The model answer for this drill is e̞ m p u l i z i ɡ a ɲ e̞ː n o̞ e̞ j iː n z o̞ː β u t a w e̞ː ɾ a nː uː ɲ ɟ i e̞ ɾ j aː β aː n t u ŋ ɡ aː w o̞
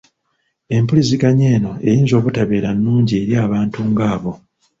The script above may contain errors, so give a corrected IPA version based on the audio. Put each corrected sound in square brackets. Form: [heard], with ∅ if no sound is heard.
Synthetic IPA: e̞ m p u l i z i ɡ a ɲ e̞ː n o̞ e̞ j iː n z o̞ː β u t a [β] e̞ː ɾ a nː uː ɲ ɟ i e̞ ɾ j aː β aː n t u ŋ ɡ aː [β] o̞

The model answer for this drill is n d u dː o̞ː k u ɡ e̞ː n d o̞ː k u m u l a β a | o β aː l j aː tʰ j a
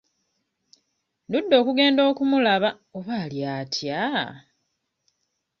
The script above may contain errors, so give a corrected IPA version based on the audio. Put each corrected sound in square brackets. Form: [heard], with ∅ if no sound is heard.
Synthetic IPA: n d u dː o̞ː k u ɡ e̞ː n d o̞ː k u m u l a β a | o β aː l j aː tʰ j a

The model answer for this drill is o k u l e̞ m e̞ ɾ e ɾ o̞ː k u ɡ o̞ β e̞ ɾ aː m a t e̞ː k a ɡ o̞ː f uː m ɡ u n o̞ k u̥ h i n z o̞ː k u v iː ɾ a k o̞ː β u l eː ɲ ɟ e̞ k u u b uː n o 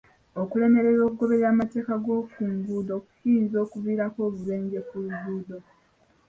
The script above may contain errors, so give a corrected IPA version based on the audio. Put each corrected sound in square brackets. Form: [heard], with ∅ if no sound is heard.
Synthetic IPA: o k u l e̞ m e̞ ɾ e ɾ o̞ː k u ɡ o̞ β e̞ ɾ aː m a t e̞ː k a ɡ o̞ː f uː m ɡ u [d] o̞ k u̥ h i n z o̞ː k u v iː ɾ a k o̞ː β u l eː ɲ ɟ e̞ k u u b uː [d] o

